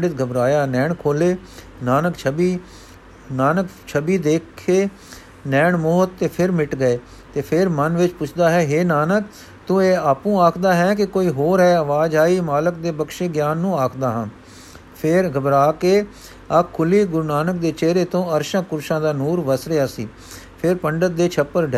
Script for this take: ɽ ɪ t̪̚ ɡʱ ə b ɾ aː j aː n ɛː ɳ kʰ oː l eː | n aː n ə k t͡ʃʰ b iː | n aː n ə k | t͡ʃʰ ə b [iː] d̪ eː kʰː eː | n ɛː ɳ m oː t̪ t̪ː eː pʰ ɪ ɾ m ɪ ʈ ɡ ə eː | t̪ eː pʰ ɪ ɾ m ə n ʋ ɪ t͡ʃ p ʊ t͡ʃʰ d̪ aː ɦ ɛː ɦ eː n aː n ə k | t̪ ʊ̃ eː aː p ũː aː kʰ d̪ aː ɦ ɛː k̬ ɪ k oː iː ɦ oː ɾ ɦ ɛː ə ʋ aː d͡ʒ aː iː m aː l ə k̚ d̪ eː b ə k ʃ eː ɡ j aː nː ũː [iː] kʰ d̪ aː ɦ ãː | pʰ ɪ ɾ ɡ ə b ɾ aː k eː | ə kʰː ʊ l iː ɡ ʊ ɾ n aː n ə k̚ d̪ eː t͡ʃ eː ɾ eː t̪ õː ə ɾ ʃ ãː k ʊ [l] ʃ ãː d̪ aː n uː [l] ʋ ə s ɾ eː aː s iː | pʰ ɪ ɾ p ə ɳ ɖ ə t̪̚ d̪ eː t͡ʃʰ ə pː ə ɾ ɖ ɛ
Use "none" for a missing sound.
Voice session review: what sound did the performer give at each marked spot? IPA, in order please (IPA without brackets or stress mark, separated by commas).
iː, aː, ɾ, ɾ